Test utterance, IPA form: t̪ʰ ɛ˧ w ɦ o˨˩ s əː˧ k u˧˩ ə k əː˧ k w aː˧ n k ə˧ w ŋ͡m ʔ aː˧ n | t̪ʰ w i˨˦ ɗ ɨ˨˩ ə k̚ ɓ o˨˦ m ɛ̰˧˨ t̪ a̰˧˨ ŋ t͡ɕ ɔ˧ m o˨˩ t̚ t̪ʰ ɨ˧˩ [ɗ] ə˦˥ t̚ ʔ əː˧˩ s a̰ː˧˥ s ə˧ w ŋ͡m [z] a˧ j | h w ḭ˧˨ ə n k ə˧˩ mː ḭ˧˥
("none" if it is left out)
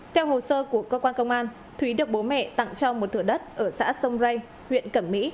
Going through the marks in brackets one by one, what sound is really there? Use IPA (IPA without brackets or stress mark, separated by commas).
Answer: ɗ, z